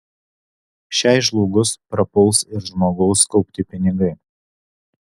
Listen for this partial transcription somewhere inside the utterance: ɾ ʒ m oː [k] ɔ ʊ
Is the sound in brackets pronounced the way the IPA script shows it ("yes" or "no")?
no